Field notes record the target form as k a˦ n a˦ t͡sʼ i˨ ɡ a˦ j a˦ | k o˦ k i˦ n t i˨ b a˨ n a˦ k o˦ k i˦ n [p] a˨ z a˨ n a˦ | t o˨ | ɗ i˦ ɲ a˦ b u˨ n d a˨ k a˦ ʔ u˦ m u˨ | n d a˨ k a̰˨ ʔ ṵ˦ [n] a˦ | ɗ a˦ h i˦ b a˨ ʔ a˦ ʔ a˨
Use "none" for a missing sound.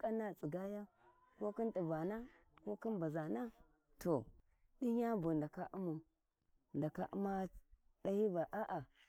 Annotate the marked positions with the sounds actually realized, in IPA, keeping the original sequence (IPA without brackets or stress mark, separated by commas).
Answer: b, m